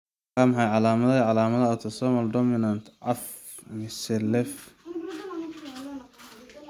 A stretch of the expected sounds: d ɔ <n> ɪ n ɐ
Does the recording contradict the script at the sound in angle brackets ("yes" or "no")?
yes